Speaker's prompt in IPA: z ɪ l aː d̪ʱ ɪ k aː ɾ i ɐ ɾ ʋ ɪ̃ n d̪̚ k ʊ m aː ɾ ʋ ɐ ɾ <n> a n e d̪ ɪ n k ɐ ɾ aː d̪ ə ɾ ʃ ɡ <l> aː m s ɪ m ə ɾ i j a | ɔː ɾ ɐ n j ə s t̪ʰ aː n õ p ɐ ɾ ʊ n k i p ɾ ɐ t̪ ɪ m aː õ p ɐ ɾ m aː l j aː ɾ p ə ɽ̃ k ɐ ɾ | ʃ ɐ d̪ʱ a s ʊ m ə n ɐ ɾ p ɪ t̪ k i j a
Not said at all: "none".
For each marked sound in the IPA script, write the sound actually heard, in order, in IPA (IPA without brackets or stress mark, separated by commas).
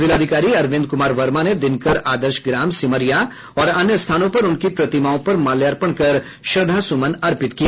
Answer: m, ɾ